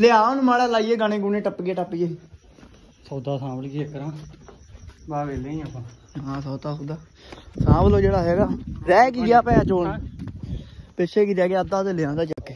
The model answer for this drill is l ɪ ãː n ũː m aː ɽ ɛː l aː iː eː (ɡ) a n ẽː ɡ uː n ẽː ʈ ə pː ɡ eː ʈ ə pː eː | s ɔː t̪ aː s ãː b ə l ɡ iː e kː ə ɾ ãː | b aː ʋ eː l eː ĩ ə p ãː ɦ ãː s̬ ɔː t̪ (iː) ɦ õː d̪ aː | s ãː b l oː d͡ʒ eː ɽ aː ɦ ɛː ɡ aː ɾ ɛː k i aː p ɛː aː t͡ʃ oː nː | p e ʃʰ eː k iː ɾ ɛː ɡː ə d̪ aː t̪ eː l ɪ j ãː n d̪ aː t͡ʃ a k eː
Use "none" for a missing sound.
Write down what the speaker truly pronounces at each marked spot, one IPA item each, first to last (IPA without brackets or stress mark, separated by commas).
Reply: ɡ, aː